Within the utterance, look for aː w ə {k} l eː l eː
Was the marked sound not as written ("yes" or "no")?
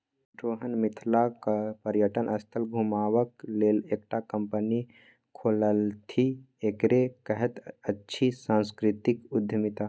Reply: no